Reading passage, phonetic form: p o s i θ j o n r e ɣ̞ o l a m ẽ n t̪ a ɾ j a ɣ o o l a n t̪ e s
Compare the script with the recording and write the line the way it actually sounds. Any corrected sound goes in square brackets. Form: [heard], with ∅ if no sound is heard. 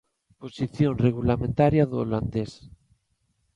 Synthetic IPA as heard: p o s i θ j o n r e ɣ̞ [u] l a m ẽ n t̪ a ɾ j a [ð] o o l a n [d̪] e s